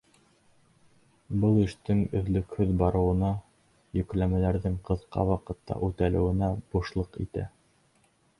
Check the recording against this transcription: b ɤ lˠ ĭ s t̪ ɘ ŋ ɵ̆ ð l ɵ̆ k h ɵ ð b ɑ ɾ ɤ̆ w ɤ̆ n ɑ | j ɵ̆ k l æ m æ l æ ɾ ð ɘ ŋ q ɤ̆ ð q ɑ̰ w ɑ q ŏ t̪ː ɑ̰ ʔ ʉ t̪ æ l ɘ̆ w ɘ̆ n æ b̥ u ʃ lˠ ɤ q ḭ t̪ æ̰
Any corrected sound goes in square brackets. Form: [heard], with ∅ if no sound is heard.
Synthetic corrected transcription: b ɤ lˠ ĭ [ʃ] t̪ ɘ ŋ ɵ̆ ð l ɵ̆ k h ɵ ð b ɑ ɾ ɤ̆ w ɤ̆ n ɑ | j ɵ̆ k l æ m æ l æ ɾ ð ɘ ŋ q ɤ̆ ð q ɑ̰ w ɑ q [ɤ̆] t̪ː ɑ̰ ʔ ʉ t̪ æ l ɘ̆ w ɘ̆ n æ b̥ u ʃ lˠ ɤ q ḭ t̪ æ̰